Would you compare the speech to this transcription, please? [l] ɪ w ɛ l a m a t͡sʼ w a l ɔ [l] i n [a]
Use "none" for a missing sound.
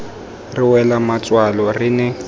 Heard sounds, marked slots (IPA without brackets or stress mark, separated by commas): r, r, ɛ